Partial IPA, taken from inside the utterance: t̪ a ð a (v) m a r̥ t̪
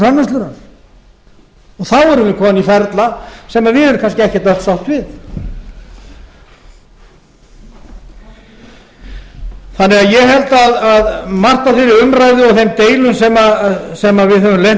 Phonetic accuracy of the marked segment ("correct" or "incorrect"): incorrect